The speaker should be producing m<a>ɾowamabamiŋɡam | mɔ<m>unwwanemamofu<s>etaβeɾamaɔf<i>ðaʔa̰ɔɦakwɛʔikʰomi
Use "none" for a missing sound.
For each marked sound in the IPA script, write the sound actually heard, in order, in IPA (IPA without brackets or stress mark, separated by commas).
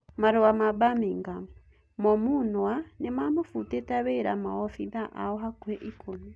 a, m, t, i